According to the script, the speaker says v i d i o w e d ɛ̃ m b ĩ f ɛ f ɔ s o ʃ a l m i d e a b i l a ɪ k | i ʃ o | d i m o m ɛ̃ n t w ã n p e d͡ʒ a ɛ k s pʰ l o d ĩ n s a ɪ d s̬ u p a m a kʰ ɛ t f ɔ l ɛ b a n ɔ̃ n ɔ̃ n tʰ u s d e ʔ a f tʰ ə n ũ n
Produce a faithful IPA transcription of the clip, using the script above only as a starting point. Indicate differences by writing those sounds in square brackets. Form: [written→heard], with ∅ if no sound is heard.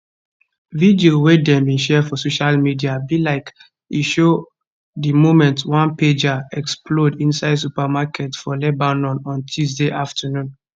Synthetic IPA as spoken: v i d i o w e d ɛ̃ m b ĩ [f→ʃ] ɛ f ɔ s o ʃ a l m i d [e→i] a b i l a ɪ k | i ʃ o | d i m o m ɛ̃ n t w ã n p e d͡ʒ a ɛ k s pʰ l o d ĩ n s a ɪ d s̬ u p a m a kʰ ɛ t f ɔ l ɛ b a n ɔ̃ n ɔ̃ n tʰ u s d e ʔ a f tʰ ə n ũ n